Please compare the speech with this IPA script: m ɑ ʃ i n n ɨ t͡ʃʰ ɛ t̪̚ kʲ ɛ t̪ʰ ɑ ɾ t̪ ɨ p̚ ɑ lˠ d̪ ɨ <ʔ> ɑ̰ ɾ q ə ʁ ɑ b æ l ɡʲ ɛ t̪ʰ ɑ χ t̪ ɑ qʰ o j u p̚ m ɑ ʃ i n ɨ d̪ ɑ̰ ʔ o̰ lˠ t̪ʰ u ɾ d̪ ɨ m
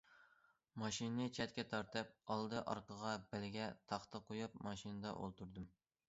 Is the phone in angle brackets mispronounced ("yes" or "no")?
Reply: no